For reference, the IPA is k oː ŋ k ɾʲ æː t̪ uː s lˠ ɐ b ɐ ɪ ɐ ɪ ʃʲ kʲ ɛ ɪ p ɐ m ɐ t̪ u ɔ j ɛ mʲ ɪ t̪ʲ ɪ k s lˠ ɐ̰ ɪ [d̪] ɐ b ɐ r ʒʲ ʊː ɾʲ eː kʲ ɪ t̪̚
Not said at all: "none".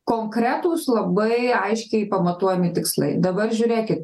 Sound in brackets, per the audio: d̪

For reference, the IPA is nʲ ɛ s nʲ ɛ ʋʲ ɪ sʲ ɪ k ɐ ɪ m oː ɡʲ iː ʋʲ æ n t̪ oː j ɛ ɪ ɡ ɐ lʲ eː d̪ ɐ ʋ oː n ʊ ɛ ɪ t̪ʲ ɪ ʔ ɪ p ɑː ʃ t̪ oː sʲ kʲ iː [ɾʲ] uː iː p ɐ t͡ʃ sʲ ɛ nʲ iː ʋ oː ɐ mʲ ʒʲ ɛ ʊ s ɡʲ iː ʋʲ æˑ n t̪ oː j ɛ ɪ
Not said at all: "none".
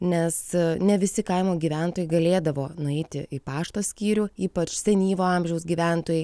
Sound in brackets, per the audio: ɾʲ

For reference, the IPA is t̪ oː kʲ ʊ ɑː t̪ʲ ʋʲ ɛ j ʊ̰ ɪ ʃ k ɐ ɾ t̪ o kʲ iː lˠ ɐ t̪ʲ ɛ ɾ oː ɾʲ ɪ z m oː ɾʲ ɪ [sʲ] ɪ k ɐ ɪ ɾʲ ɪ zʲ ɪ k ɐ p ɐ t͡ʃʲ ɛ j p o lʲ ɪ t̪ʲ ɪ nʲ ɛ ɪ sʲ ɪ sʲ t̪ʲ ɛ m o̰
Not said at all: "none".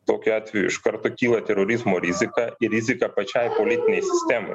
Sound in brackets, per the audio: zʲ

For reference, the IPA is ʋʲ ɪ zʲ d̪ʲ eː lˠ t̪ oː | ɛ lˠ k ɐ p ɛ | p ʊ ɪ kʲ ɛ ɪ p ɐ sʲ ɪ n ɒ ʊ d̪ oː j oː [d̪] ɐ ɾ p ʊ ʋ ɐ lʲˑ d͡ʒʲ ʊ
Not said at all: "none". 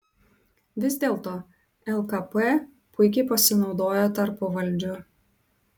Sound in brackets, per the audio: t̪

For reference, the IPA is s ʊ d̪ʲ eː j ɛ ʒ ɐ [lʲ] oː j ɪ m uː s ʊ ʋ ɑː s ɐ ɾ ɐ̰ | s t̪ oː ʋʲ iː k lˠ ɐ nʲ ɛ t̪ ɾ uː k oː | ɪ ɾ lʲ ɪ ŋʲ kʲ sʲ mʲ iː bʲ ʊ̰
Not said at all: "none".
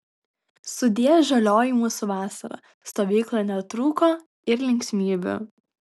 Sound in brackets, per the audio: lʲ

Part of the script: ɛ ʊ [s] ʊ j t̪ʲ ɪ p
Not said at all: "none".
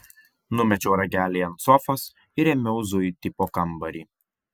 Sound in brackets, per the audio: z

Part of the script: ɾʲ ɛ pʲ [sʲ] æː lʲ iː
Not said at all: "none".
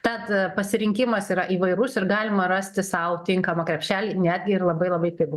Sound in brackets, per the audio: ʃʲ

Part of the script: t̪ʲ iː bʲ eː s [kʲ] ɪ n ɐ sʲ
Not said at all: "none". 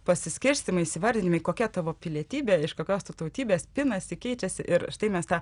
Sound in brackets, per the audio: pʲ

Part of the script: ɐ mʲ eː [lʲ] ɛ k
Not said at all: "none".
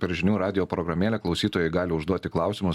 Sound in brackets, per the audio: lʲ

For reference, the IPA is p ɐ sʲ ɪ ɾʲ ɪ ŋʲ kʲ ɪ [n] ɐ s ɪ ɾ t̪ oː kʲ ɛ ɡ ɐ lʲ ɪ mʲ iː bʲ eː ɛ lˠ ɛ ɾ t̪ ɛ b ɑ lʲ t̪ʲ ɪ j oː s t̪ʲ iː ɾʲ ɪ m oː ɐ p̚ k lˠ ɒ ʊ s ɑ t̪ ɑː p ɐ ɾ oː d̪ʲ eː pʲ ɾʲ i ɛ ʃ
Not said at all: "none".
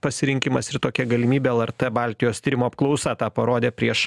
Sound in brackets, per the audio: m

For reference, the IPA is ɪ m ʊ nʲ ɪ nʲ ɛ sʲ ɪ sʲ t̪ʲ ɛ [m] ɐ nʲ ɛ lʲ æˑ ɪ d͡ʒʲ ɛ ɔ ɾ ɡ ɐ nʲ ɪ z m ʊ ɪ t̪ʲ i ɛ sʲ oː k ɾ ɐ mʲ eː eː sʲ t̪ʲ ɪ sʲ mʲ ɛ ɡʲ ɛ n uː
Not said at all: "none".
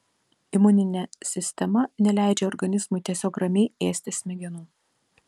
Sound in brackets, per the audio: m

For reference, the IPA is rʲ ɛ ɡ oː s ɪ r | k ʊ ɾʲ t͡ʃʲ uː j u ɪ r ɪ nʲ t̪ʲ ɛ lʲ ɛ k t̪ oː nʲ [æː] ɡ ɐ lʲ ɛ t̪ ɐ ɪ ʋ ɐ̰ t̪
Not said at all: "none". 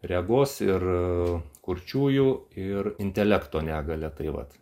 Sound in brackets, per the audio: æː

